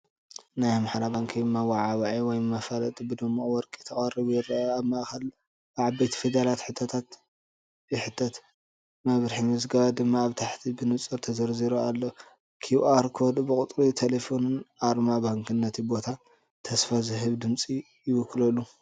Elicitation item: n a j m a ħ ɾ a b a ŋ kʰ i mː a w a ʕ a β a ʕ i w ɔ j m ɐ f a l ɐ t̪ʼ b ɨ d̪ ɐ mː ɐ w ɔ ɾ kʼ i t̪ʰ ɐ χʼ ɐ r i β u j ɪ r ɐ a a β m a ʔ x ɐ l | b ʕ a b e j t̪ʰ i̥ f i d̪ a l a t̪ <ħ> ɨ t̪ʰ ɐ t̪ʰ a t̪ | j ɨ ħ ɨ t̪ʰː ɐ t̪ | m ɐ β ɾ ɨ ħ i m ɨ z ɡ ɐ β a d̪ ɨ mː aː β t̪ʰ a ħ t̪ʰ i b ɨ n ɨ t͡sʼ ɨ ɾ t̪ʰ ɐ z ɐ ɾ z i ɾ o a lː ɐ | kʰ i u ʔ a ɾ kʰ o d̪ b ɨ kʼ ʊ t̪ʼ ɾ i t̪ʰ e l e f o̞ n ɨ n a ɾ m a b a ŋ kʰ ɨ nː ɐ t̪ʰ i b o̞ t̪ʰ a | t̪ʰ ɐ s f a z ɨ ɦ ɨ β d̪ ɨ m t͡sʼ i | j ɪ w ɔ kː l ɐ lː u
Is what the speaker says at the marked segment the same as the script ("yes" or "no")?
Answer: yes